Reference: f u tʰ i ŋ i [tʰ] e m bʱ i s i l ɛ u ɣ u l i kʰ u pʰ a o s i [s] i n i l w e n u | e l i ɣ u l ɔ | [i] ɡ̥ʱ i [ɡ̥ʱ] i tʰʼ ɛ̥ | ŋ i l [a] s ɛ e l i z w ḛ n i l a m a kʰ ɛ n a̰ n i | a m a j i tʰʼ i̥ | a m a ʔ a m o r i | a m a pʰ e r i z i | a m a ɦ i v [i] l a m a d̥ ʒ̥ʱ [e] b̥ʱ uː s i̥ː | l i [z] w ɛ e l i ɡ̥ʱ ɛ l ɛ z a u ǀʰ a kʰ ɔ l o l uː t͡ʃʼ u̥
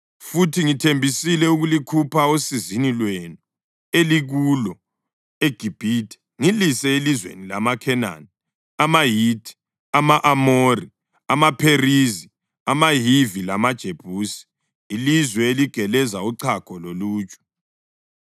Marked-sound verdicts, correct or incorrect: correct, incorrect, incorrect, incorrect, incorrect, correct, correct, correct

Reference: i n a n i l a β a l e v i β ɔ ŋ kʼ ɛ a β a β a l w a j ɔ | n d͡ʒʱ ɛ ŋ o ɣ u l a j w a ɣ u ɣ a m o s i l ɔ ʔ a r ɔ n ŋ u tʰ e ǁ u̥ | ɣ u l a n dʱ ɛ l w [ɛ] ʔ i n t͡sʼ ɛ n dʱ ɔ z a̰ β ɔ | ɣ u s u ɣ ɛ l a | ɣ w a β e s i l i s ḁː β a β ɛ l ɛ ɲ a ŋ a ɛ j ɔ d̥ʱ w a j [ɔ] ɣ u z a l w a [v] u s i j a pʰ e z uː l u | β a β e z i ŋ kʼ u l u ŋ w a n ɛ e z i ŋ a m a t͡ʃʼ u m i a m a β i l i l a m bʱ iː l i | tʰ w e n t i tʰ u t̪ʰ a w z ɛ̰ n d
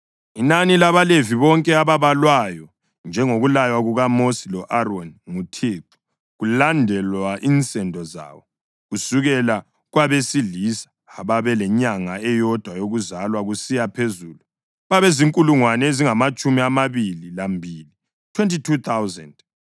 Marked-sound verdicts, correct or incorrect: incorrect, incorrect, incorrect

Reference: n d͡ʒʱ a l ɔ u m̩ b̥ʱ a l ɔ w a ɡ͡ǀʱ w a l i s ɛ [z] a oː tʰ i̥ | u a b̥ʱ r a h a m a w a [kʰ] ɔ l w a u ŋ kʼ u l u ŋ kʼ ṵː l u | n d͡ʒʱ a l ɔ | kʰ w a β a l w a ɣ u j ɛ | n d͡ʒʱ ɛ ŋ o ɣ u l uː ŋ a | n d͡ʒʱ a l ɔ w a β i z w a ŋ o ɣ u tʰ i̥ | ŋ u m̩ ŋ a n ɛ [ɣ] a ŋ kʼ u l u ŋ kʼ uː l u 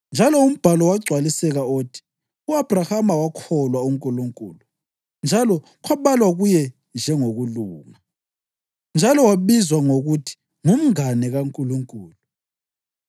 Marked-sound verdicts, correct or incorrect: incorrect, correct, correct

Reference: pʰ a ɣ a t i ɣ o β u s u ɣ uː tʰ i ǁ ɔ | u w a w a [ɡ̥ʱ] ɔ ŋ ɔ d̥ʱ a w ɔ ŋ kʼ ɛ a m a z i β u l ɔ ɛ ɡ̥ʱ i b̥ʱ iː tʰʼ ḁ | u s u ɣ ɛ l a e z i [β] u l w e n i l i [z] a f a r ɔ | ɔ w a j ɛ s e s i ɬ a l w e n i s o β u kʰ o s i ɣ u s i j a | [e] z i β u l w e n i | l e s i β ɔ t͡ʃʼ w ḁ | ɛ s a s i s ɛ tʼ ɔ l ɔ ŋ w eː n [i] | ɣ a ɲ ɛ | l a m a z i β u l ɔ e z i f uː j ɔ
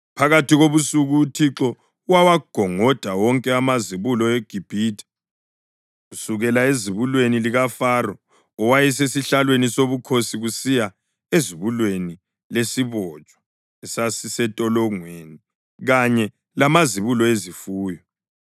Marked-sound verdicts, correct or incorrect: correct, correct, incorrect, correct, correct

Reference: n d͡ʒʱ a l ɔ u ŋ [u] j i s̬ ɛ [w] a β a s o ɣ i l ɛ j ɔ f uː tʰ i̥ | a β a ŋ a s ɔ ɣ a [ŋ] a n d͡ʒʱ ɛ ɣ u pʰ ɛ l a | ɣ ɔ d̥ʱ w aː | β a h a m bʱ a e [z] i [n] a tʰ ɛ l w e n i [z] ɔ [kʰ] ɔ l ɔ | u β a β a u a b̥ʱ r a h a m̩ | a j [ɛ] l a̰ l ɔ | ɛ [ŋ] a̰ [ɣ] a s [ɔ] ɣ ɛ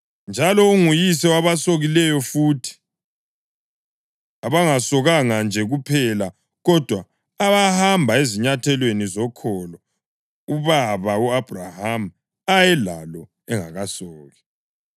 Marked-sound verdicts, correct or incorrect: correct, correct, correct, correct, incorrect, correct, correct, correct, correct, correct, incorrect

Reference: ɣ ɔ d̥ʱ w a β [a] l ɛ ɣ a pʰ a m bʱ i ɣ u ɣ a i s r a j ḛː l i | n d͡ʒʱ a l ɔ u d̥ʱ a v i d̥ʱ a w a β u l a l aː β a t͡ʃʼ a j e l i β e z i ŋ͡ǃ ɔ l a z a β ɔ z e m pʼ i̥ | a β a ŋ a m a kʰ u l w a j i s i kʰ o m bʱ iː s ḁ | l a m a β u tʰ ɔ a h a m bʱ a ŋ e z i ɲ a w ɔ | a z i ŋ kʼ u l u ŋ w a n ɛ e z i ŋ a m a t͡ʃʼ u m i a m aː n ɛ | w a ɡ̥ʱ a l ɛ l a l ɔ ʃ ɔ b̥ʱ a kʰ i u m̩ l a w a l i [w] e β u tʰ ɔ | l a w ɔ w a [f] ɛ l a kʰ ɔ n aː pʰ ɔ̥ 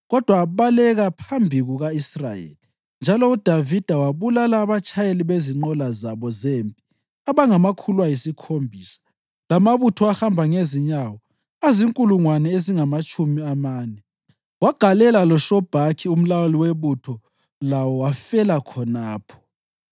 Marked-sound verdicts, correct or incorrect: correct, correct, correct

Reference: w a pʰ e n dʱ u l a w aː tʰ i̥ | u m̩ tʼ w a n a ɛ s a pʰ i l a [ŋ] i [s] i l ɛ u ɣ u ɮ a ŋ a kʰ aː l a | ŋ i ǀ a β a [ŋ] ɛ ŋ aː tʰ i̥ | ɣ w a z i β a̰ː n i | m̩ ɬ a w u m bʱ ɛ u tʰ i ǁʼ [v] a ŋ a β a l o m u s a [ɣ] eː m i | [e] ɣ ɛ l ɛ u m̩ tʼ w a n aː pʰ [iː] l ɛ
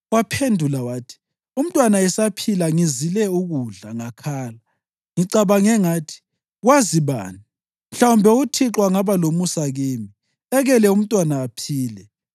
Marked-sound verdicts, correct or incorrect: correct, incorrect, correct, incorrect, correct, incorrect, correct

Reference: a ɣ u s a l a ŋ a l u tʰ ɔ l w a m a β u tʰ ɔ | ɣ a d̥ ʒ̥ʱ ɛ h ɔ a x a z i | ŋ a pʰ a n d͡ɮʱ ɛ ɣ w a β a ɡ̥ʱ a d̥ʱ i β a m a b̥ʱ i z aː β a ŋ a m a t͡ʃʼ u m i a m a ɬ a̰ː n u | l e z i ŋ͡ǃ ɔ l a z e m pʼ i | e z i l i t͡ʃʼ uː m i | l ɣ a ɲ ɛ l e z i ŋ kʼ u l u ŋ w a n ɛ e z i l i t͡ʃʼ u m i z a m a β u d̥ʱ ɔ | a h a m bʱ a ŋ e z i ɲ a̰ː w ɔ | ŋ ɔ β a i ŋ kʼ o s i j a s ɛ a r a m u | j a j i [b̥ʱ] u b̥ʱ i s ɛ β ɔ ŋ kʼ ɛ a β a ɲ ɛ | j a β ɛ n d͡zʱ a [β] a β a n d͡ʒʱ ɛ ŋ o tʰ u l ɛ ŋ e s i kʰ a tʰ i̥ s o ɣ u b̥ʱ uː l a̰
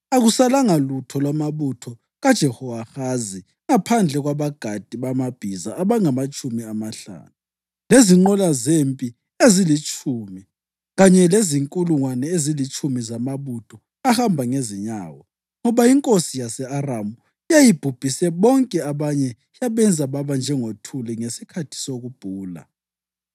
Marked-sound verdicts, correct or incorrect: correct, correct

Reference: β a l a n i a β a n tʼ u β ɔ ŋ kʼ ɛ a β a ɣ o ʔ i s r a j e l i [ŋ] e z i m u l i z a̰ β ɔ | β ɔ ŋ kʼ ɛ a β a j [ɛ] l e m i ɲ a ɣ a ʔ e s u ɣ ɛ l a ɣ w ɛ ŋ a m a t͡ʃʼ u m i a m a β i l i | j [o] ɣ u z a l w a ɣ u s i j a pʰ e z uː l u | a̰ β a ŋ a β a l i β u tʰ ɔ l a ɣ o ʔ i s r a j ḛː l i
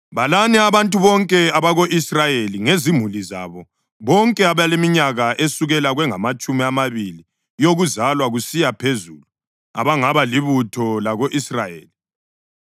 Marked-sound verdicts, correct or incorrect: correct, incorrect, correct

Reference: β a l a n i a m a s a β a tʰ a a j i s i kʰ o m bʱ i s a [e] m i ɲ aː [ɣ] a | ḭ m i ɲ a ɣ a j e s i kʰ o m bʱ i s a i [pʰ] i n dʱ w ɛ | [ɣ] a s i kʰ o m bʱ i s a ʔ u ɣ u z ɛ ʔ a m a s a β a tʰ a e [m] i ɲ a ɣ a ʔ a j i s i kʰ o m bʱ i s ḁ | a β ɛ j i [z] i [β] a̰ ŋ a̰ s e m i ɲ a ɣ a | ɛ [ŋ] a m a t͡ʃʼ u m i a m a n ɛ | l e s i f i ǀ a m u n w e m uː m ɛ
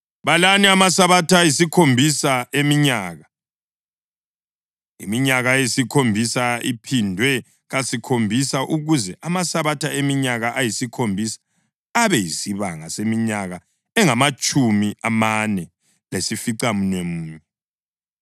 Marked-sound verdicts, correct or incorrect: correct, correct, correct, correct, correct, incorrect, correct, correct

